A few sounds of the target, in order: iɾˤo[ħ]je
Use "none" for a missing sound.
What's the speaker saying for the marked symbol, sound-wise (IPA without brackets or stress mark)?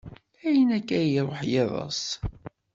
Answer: ħ